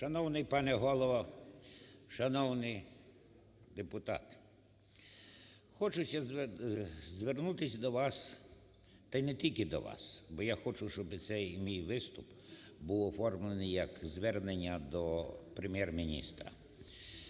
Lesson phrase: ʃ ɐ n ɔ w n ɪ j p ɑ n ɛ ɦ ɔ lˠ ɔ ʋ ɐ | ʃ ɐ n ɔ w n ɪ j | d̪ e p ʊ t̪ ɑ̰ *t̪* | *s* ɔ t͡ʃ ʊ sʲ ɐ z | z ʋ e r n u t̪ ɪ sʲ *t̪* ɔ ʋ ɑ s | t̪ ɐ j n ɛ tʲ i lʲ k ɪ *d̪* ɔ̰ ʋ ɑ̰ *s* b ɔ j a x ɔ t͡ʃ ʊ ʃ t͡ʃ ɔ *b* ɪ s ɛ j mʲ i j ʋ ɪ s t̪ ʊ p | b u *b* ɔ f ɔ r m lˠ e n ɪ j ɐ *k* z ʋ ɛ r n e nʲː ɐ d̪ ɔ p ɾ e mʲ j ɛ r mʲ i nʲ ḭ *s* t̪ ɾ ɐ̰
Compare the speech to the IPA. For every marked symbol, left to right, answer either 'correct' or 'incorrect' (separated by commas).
correct, incorrect, incorrect, correct, correct, correct, incorrect, correct, correct